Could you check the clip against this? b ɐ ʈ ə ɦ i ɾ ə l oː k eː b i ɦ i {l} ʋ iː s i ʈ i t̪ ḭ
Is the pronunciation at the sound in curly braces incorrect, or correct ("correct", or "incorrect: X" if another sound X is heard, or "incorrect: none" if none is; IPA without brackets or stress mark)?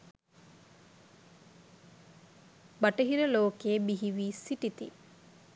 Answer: incorrect: none